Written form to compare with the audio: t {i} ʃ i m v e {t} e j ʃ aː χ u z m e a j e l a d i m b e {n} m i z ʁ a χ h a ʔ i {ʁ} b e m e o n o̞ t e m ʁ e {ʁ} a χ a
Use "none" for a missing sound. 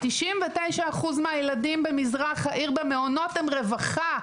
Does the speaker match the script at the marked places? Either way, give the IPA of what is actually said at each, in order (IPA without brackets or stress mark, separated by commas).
i, t, none, ʁ, v